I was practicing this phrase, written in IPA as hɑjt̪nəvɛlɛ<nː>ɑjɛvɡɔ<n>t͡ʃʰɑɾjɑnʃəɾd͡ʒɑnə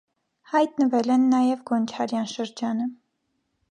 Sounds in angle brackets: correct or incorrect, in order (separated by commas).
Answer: correct, correct